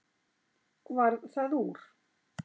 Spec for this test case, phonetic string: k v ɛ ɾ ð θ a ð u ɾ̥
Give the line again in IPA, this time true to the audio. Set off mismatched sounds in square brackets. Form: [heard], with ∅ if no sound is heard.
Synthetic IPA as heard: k v [a] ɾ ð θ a ð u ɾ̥